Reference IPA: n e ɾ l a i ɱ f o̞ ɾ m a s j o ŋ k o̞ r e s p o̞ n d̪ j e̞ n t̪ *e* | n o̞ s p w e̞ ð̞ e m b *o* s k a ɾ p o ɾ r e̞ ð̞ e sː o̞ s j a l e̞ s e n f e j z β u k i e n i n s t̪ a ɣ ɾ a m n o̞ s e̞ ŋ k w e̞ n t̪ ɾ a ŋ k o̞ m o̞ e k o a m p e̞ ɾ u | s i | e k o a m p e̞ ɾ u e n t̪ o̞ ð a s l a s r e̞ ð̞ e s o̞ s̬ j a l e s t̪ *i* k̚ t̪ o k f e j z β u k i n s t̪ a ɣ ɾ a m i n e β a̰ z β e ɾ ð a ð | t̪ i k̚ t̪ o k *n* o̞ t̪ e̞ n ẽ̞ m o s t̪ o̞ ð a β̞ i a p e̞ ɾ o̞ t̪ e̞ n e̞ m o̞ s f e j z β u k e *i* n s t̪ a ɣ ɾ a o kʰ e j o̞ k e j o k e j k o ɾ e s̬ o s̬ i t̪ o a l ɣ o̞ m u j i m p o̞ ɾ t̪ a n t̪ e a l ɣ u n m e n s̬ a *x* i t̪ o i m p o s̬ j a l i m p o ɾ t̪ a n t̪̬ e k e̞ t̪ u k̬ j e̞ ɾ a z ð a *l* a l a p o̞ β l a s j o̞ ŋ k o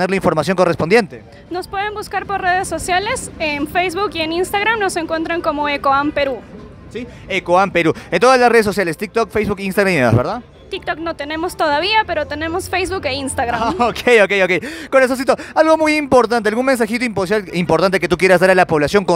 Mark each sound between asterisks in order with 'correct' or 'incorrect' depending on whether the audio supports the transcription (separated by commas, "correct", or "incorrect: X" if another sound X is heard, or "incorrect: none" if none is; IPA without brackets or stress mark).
correct, incorrect: u, correct, correct, correct, correct, incorrect: ɾ